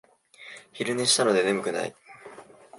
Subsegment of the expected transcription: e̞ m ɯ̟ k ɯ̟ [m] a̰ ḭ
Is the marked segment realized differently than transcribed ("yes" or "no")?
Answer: yes